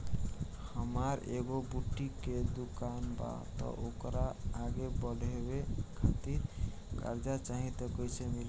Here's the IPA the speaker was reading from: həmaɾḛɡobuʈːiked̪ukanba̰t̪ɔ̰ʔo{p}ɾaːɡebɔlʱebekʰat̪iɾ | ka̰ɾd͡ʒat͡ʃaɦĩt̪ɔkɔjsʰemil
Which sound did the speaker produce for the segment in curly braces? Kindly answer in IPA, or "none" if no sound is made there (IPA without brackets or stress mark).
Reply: k